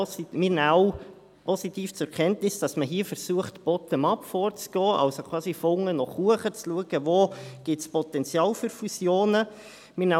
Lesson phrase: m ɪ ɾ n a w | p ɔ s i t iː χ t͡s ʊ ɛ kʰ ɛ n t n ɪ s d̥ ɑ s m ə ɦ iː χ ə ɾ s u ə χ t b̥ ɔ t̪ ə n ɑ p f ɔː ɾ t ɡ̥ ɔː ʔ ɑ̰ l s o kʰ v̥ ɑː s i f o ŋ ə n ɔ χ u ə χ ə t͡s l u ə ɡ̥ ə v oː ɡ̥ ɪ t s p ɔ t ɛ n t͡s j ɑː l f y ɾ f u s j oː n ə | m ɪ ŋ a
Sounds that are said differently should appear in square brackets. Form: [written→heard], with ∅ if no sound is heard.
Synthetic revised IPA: m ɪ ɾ n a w | p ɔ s i t iː [χ→f] t͡s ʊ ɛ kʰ ɛ n t n ɪ s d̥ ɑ s m ə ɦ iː [χ→f] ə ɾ s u ə χ t b̥ ɔ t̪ ə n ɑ p f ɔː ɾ [t→t͡s] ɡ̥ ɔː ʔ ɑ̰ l s o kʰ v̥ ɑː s i f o ŋ ə n ɔ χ u ə χ ə t͡s l u ə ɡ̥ ə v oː ɡ̥ ɪ t s p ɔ t ɛ n t͡s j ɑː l f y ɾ f u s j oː n ə | m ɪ [ŋ→n] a